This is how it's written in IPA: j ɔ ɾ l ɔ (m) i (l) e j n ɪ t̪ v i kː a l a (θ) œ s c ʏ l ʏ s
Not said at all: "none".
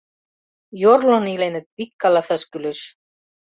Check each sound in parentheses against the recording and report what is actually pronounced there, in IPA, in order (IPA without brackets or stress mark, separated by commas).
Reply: n, l, θ